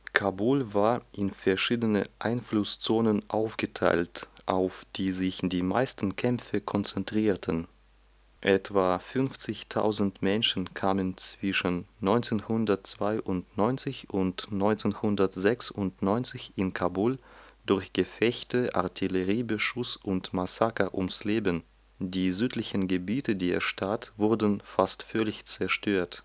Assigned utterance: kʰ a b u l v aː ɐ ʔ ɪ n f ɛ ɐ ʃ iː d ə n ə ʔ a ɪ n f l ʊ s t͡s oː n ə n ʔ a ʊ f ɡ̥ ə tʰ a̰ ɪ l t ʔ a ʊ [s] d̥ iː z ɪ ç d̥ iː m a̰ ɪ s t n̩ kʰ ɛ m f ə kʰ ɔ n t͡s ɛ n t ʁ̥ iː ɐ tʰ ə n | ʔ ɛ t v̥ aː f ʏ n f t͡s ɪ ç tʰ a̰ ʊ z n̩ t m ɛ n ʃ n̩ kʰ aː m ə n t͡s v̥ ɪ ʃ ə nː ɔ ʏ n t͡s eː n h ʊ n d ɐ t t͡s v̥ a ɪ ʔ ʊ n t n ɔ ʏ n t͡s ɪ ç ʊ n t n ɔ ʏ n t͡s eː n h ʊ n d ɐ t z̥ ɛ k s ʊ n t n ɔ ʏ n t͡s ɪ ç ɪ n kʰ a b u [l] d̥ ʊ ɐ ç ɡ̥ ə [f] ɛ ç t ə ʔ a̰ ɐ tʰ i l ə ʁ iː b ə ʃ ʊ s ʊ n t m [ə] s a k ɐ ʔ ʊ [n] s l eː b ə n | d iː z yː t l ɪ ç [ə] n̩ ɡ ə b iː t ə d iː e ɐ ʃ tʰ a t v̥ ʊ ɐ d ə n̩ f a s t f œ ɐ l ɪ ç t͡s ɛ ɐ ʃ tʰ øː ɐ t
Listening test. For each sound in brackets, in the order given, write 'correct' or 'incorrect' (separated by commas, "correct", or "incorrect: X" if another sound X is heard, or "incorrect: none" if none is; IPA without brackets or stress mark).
incorrect: f, correct, correct, incorrect: a, incorrect: m, correct